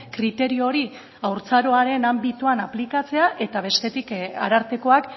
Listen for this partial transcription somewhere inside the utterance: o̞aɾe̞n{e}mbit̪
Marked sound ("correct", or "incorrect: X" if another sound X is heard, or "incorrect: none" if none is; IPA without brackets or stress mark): incorrect: a